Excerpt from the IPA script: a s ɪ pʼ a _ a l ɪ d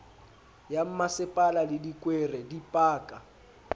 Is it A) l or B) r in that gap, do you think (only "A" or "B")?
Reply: A